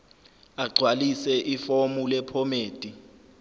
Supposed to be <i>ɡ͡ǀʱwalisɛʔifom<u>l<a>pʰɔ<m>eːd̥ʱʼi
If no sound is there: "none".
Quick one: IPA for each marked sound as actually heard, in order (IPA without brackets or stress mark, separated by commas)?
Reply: a, u, ɛ, m